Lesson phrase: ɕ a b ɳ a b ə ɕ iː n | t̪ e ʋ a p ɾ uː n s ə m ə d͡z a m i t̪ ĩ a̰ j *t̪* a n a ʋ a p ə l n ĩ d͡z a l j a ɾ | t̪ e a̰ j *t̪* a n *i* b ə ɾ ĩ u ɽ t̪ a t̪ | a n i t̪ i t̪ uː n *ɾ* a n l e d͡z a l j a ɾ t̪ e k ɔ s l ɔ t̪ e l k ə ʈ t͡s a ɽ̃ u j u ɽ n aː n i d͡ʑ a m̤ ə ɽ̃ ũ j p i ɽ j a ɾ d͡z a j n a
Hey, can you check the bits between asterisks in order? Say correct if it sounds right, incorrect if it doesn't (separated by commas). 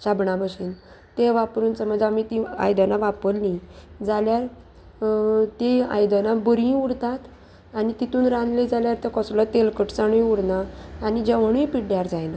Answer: incorrect, incorrect, incorrect, correct